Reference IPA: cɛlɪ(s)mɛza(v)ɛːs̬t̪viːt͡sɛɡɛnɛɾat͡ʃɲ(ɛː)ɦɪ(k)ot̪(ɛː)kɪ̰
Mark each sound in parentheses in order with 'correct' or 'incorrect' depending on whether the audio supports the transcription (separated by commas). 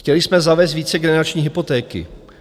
correct, correct, incorrect, incorrect, correct